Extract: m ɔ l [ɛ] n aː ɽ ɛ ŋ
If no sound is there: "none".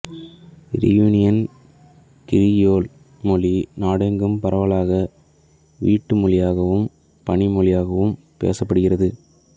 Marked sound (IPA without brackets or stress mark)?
i